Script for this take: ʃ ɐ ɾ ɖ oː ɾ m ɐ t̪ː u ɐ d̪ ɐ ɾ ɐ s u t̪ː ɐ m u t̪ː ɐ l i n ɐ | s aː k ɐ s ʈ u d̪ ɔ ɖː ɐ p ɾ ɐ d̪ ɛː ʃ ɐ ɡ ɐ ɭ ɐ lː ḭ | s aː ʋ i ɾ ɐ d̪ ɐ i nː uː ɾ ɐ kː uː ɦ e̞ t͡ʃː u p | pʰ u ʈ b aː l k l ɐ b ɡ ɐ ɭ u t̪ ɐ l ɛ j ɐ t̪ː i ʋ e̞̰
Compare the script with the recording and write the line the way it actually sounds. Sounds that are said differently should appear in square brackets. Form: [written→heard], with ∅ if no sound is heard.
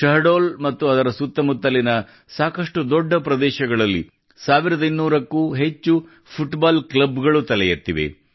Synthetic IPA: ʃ ɐ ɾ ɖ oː [ɾ→l] m ɐ t̪ː u ɐ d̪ ɐ ɾ ɐ s u t̪ː ɐ m u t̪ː ɐ l i n ɐ | s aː k ɐ [s→ʂ] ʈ u d̪ ɔ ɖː ɐ p ɾ ɐ d̪ ɛː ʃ ɐ ɡ ɐ ɭ ɐ lː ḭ | s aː ʋ i ɾ ɐ d̪ ɐ i nː uː ɾ ɐ kː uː ɦ e̞ t͡ʃː u [p→∅] | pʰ u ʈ b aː l k l ɐ b ɡ ɐ ɭ u t̪ ɐ l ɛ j ɐ t̪ː i ʋ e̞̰